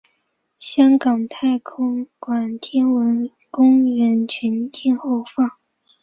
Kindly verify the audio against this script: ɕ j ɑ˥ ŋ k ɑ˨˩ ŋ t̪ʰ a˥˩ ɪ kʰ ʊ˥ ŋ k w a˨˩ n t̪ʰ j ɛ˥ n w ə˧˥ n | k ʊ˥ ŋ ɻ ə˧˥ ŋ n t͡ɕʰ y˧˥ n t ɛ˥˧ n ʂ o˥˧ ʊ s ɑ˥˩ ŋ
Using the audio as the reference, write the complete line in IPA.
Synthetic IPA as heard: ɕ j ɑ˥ ŋ k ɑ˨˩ ŋ t̪ʰ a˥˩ ɪ kʰ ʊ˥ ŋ k w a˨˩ n t̪ʰ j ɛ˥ n w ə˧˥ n | k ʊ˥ ŋ ɻ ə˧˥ n t͡ɕʰ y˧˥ n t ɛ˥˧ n x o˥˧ ʊ f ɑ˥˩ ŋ